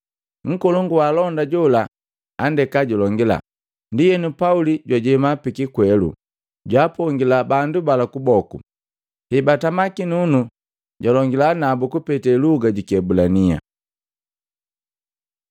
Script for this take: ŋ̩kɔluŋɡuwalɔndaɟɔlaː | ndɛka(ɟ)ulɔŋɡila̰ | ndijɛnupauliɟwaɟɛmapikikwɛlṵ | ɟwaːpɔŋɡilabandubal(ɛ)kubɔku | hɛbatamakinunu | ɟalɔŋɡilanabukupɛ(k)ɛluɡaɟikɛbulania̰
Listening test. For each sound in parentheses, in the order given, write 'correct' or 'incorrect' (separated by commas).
correct, incorrect, incorrect